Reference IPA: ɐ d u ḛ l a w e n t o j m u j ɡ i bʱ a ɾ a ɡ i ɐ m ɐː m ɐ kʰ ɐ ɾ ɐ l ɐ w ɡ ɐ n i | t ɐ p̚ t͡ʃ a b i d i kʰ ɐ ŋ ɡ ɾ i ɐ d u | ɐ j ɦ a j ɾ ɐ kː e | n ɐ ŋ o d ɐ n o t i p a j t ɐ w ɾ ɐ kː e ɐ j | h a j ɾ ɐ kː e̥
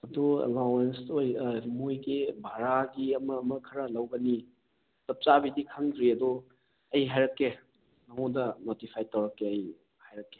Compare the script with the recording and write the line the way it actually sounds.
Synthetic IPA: ɐ d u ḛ l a w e n s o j m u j ɡ i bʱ a ɾ a ɡ i ɐ m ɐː m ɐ kʰ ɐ ɾ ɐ l ɐ w ɡ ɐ n i | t ɐ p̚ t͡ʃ a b i d i kʰ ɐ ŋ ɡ ɾ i ɐ d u | ɐ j ɦ a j ɾ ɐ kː e | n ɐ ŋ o d ɐ n o t i pʰ a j t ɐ w ɾ ɐ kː e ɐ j | h a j ɾ ɐ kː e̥